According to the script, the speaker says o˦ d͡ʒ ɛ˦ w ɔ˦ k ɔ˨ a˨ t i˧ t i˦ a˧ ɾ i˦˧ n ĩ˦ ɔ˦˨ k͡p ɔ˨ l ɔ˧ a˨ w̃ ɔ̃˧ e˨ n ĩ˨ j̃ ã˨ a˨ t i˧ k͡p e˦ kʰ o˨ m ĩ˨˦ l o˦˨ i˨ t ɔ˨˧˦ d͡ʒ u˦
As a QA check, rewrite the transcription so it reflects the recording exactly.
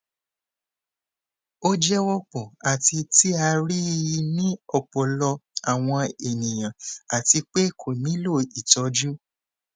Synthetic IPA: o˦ d͡ʒ ɛ˦ w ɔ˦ k͡p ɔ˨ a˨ t i˧ t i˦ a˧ ɾ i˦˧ n ĩ˦ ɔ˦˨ k͡p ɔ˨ l ɔ˧ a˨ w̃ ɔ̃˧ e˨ n ĩ˨ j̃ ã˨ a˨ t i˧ k͡p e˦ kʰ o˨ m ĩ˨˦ l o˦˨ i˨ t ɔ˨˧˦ d͡ʒ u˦

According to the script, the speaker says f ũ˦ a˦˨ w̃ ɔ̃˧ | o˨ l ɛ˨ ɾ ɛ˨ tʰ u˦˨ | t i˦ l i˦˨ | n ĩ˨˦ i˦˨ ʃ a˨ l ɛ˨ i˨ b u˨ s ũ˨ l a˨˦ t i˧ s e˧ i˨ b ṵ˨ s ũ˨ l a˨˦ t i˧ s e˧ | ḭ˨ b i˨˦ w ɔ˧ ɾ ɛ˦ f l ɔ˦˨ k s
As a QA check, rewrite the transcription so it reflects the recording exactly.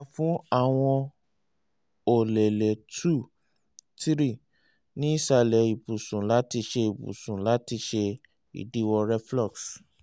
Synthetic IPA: f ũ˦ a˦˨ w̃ ɔ̃˧ | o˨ l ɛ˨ l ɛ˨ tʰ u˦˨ | t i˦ ɾ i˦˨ | n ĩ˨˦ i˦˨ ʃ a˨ l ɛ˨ i˨ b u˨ s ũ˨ l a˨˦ t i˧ ʃ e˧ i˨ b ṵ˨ s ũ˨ l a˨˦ t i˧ ʃ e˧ | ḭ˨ d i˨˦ w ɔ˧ ɾ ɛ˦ f l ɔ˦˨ k s

